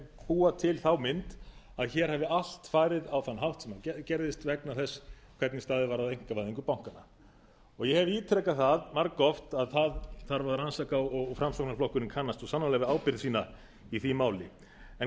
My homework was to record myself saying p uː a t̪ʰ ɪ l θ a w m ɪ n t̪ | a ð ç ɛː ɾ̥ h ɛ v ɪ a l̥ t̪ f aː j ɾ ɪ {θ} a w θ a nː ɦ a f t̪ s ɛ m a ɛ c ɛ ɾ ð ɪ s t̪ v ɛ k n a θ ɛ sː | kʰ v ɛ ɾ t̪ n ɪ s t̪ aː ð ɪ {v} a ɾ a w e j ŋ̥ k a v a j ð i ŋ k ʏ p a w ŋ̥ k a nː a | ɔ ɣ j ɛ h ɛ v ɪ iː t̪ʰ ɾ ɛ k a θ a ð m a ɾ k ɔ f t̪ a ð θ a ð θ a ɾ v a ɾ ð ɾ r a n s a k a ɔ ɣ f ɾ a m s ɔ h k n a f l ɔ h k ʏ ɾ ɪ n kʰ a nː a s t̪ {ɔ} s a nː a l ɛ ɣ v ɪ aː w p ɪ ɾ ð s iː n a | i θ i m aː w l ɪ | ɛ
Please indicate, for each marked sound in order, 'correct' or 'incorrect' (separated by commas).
incorrect, correct, correct